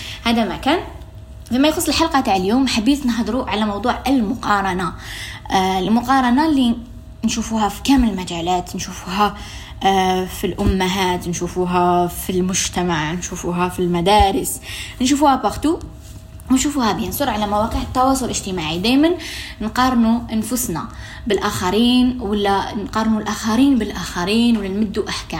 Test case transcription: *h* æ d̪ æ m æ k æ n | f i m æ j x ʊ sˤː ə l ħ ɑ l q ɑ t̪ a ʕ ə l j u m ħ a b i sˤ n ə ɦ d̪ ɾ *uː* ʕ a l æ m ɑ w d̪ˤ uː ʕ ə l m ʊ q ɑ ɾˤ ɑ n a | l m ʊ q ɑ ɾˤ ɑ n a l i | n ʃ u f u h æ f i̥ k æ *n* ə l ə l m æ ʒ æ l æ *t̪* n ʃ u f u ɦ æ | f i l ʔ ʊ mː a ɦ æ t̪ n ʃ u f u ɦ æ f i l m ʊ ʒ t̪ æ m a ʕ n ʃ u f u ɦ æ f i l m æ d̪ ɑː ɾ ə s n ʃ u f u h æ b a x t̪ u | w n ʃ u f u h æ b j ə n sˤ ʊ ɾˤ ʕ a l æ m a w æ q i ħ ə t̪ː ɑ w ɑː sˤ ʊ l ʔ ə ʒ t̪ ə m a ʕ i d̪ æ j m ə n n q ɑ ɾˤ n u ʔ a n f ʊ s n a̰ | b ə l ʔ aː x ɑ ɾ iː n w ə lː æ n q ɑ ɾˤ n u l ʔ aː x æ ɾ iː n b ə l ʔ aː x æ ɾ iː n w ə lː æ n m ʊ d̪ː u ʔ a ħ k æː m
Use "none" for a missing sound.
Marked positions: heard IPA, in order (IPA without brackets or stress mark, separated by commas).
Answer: h, u, m, t̪